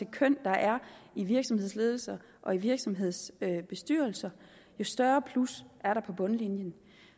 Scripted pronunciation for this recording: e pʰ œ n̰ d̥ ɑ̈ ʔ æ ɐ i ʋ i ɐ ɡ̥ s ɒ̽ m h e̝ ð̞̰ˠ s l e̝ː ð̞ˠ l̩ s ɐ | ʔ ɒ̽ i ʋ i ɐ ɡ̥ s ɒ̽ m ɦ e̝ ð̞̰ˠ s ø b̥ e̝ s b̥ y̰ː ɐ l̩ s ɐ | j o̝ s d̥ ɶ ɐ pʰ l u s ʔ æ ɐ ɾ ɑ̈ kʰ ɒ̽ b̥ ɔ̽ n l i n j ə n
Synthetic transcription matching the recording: e kʰ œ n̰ d̥ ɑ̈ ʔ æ ɐ i ʋ i ɐ ɡ̥ s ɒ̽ m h e̝ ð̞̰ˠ s l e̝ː ð̞ˠ l̩ s ɐ | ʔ ɒ̽ i ʋ i ɐ ɡ̥ s ɒ̽ m ɦ e̝ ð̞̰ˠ s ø b̥ e̝ s d̥ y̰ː ɐ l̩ s ɐ | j o̝ s d̥ ɶ ɐ pʰ l u s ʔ æ ɐ ɾ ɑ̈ pʰ ɒ̽ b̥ ɔ̽ n l i n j ə n